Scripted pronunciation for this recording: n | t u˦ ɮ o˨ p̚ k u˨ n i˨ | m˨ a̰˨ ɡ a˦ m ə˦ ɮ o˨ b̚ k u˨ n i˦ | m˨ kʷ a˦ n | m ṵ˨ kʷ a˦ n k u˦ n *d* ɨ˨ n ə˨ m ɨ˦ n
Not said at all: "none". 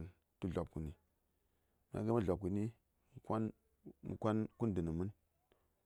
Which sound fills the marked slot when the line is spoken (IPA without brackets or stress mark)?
d